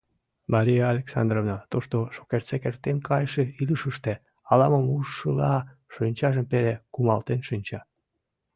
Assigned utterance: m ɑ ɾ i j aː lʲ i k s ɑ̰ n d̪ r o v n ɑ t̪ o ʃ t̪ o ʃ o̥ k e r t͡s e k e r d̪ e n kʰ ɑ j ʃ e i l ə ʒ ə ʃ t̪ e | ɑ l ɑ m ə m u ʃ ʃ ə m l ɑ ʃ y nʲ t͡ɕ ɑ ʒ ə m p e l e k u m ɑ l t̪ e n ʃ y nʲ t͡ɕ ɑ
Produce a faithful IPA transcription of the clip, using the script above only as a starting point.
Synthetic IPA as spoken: m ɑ ɾ i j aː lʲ e k s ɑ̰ n d̪ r o v n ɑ t̪ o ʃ t̪ o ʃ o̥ k e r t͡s e k e r t̪ e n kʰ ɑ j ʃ e i l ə ʃ ə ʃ t̪ e | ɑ l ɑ m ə m u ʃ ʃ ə l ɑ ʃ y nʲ t͡ɕ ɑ ʒ ə m p e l e k u m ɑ l t̪ e n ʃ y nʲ t͡ɕ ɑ